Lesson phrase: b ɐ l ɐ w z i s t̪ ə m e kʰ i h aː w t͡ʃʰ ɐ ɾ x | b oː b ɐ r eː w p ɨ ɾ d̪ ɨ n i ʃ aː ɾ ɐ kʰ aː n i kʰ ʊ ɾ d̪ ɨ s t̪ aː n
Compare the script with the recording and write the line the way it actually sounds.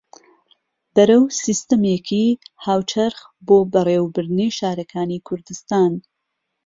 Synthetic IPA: b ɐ ɾ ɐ w s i s t̪ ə m e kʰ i h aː w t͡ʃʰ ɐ ɾ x | b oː b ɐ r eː w b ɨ ɾ d̪ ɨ n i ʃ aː ɾ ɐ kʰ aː n i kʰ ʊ ɾ d̪ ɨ s t̪ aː n